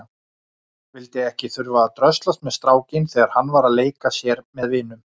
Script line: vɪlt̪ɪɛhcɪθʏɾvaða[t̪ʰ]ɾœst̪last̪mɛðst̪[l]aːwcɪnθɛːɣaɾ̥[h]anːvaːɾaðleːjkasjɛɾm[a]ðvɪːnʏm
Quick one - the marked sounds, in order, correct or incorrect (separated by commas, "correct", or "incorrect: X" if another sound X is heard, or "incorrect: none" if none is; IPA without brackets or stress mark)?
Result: incorrect: t̪, incorrect: ɾ, correct, incorrect: ɛ